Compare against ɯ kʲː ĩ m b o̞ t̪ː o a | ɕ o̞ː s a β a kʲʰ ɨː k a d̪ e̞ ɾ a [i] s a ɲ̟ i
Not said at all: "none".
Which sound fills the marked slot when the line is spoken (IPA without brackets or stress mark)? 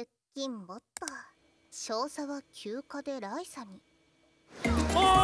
i